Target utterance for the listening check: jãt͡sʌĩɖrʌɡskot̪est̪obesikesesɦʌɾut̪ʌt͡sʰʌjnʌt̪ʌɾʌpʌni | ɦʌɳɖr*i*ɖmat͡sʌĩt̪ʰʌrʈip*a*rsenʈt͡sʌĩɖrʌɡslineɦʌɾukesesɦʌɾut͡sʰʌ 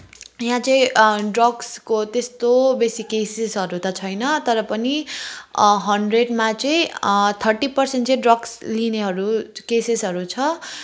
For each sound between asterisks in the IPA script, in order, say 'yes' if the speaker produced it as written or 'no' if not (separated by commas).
no, no